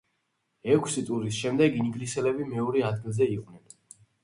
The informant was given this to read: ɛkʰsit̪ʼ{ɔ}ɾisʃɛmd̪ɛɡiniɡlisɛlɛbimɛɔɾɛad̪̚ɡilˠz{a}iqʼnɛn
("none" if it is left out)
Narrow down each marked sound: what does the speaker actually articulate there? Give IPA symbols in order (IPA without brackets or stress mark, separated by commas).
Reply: u, ɛ